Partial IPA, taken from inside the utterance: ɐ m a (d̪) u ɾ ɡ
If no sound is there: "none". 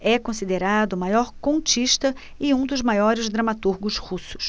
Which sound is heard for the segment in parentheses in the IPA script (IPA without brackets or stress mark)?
t̪